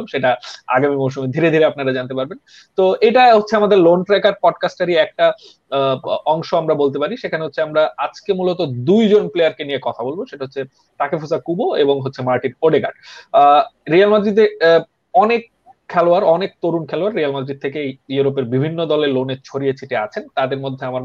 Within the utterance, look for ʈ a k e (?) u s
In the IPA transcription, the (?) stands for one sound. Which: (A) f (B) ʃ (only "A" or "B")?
A